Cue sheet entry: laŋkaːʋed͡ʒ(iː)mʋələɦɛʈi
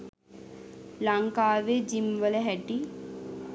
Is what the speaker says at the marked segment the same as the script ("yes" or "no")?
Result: no